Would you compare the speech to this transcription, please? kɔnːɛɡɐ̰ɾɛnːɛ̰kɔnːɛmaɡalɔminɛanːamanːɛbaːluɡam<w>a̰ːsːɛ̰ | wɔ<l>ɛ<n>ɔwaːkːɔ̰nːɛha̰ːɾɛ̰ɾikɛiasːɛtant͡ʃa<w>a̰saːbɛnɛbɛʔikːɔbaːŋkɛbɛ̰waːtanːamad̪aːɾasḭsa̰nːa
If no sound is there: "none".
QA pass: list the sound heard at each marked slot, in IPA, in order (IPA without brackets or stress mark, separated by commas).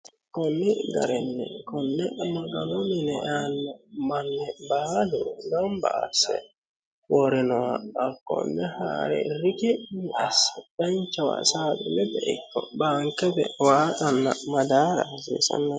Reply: b, ɾ, n, w